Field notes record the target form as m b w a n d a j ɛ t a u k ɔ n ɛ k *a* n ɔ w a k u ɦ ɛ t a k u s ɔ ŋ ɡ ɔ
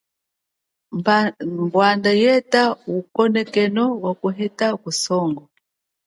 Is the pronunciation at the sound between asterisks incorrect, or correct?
incorrect: ɛ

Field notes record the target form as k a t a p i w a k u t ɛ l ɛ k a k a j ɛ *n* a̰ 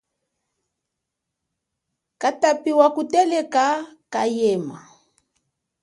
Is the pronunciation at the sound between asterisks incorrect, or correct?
incorrect: m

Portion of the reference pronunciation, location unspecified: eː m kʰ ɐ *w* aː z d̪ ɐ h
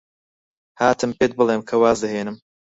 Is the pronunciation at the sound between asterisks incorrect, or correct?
correct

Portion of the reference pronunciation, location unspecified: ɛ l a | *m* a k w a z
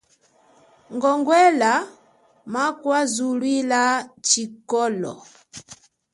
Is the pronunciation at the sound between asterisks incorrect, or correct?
correct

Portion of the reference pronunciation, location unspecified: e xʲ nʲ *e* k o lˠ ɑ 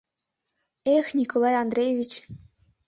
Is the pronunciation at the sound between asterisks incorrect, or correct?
incorrect: i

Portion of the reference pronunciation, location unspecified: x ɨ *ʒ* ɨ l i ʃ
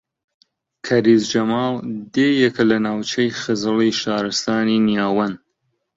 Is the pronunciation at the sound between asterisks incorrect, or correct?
incorrect: z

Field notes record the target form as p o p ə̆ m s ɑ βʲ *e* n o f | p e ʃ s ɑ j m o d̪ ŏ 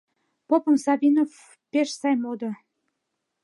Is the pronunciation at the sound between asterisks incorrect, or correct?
incorrect: i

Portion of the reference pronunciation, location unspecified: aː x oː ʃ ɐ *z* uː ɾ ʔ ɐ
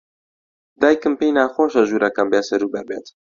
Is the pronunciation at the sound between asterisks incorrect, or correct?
incorrect: ʒ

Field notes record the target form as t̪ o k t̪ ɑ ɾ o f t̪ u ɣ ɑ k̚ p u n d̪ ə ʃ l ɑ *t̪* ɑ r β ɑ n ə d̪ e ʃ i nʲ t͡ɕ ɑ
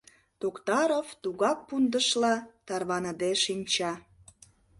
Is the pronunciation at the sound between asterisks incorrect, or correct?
correct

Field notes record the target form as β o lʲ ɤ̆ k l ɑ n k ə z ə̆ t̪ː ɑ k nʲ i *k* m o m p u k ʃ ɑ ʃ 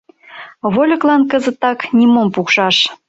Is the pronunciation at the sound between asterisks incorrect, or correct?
incorrect: none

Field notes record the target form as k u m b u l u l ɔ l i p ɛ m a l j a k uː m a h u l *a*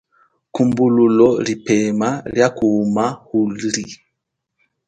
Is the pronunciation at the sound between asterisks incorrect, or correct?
incorrect: i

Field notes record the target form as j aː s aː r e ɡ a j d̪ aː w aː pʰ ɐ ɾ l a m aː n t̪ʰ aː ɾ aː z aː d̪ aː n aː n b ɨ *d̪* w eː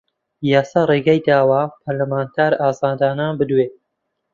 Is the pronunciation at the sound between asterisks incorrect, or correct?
correct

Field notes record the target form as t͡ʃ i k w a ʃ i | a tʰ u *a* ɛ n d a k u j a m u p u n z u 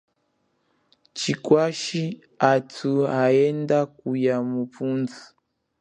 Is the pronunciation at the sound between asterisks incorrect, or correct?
correct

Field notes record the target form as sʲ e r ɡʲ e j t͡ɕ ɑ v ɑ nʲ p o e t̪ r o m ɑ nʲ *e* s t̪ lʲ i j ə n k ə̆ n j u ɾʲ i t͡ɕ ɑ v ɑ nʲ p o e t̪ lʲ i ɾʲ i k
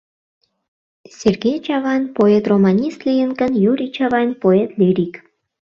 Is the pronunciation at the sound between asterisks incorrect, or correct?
incorrect: i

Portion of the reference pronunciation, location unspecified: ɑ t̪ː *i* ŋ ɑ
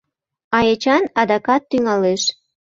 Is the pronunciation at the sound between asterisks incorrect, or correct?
incorrect: y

